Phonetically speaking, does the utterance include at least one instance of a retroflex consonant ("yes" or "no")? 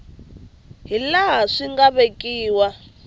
yes